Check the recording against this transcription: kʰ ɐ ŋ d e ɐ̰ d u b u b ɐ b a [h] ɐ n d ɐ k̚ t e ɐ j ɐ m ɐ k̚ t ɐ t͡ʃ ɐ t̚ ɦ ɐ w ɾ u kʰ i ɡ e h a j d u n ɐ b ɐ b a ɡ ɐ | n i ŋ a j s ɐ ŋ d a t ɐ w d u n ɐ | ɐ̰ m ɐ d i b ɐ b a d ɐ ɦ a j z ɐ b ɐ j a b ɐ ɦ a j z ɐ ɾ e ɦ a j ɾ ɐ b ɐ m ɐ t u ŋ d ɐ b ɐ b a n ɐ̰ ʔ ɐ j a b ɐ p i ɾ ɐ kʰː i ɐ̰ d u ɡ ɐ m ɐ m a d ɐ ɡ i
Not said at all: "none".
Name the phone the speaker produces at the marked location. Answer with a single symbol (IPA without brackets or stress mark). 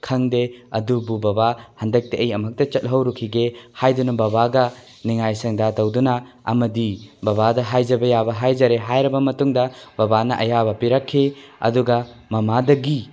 h